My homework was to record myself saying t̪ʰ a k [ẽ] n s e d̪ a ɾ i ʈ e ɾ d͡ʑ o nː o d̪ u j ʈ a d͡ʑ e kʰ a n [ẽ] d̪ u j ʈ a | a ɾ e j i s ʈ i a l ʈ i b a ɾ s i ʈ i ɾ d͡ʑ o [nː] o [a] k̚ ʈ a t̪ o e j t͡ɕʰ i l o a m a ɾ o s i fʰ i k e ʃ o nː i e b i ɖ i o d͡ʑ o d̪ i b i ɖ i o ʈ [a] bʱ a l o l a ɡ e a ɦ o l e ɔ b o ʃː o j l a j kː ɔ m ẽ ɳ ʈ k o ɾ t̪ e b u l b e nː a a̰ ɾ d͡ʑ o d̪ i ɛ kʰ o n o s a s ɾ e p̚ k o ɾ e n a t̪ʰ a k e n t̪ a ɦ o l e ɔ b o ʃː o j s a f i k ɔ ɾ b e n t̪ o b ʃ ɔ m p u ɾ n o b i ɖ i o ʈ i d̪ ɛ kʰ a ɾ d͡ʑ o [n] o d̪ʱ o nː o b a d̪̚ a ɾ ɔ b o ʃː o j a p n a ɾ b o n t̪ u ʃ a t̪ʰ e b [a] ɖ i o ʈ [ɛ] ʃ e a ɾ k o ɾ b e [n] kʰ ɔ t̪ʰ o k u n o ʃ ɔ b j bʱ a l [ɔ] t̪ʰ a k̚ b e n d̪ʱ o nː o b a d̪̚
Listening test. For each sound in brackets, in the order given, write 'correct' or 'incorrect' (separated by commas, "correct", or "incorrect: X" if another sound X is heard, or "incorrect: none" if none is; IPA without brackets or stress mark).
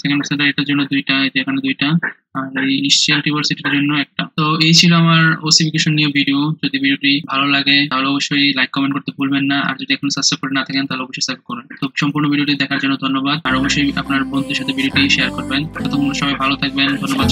incorrect: e, incorrect: e, correct, incorrect: ɛ, incorrect: i, incorrect: nː, incorrect: i, incorrect: i, correct, incorrect: o